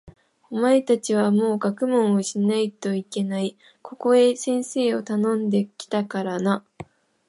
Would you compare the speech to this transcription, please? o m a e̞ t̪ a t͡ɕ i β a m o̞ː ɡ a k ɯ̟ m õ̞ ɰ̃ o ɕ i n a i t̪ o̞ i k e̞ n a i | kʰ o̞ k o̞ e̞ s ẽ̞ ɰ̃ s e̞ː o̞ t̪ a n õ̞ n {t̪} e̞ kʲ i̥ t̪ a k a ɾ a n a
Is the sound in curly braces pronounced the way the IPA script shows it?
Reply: no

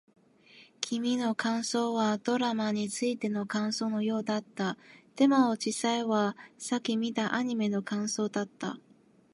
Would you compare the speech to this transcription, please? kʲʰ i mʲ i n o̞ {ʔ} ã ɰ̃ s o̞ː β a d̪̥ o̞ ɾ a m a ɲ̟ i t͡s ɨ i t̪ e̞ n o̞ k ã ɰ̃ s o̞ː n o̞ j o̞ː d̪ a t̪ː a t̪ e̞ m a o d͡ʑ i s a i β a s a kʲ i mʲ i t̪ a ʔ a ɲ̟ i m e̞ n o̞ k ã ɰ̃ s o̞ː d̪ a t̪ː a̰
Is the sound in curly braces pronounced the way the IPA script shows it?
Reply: no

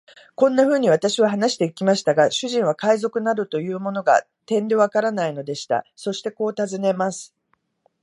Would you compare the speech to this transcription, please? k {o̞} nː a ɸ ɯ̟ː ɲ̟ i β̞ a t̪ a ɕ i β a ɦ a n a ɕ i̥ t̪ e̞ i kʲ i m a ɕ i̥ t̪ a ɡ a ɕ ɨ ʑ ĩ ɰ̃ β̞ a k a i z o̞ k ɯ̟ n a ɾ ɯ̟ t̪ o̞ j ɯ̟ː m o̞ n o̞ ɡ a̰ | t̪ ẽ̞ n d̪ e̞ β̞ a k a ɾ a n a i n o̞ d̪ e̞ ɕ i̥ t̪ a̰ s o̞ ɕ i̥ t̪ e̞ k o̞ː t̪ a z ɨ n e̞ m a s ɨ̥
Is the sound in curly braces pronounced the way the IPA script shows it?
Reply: no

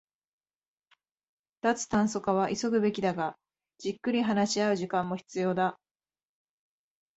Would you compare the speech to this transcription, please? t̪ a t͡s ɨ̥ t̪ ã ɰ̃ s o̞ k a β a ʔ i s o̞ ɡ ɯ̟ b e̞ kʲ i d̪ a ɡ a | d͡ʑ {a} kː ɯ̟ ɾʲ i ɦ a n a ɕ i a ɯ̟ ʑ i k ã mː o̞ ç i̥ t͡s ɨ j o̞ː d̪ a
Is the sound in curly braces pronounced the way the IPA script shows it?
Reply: no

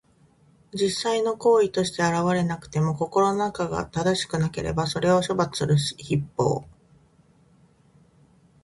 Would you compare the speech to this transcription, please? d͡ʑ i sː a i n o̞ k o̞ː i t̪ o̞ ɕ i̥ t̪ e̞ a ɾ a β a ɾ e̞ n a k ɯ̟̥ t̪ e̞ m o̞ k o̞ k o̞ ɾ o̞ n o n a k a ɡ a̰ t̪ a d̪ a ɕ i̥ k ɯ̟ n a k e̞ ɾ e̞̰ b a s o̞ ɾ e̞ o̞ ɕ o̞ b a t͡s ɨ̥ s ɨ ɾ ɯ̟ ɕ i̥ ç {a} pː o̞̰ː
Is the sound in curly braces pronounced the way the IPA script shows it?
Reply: no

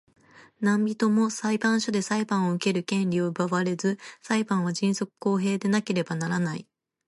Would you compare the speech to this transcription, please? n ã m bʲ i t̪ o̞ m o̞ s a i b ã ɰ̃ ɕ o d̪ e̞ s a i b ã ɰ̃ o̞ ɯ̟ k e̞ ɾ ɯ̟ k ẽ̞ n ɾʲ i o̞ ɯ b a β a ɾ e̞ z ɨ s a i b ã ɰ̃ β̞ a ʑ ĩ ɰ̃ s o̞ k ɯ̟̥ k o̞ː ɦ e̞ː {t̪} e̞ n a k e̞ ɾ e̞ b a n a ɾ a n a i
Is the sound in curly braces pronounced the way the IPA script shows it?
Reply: no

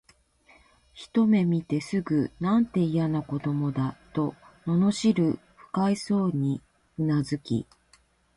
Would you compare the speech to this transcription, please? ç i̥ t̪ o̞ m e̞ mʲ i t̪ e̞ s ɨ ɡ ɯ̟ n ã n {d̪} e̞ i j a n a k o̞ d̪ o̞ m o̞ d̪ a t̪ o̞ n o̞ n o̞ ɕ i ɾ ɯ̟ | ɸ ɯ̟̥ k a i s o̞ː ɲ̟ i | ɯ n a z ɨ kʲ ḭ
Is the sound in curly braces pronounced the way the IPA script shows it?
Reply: no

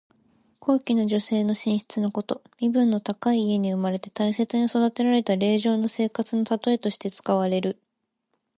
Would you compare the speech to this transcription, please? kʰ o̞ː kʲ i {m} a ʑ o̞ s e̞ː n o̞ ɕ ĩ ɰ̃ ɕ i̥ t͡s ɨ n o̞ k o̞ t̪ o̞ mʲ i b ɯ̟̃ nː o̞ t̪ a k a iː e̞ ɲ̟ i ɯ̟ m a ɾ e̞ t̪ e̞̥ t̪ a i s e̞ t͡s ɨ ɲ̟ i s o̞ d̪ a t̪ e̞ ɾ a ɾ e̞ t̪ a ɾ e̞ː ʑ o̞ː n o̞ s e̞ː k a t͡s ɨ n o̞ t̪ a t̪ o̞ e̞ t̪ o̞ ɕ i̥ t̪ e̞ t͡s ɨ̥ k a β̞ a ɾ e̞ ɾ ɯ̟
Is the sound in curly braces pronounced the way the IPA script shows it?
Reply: no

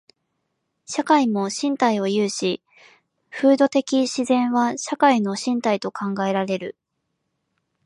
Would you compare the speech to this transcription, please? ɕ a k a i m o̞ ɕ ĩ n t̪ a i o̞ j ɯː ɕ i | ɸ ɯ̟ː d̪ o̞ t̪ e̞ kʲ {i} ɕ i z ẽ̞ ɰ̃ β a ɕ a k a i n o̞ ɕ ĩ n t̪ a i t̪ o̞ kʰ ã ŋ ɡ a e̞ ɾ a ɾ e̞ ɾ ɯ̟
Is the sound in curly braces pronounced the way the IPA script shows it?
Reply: yes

